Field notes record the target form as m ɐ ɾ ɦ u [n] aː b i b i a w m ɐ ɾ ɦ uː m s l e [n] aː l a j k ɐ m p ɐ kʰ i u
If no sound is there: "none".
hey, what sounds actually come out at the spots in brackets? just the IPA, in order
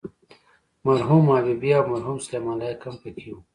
m, m

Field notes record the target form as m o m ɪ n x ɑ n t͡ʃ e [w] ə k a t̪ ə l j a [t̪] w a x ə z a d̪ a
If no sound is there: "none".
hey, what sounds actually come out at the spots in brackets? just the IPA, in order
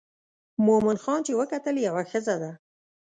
w, none

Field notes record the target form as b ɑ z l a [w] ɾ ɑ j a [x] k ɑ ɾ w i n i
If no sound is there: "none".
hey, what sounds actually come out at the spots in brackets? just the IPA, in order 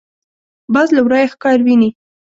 w, x

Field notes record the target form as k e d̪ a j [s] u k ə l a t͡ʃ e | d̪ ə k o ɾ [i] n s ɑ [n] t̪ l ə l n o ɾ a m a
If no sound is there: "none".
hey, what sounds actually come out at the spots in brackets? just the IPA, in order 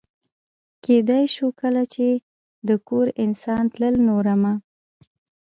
ʃ, ɪ, n

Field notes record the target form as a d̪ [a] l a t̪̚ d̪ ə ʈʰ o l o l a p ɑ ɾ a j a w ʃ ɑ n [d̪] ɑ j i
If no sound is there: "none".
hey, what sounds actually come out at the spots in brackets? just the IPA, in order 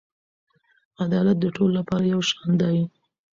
ɑ, d̪

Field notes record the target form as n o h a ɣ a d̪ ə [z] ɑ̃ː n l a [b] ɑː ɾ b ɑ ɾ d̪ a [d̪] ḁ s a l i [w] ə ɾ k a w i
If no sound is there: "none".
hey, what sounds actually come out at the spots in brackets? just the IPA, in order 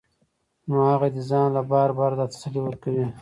z, b, t̪, w

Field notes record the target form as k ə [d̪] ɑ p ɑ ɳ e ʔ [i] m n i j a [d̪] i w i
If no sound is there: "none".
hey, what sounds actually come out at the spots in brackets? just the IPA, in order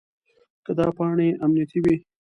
d̪, a, t̪

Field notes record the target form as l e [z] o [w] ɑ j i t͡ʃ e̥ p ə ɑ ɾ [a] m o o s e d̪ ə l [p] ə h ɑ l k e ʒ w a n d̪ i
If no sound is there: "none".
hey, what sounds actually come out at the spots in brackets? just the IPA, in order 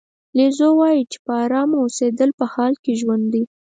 z, w, ɑ, p

